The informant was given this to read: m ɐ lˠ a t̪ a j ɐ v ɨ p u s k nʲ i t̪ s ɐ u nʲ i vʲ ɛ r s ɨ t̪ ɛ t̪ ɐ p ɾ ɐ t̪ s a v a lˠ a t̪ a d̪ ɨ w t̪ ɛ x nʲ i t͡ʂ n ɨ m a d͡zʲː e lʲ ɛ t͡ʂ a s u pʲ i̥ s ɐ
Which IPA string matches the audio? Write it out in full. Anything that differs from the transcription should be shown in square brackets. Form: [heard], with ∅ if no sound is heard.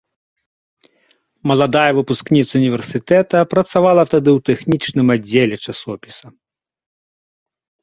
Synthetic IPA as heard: m ɐ lˠ a [d̪] a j ɐ v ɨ p u s k nʲ i t̪ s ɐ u nʲ i vʲ ɛ r s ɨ t̪ ɛ t̪ ɐ p ɾ ɐ t̪ s a v a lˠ [ɐ] t̪ a d̪ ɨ w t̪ ɛ x nʲ i t͡ʂ n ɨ m a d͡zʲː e lʲ ɛ t͡ʂ a s [ɔ] pʲ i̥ s ɐ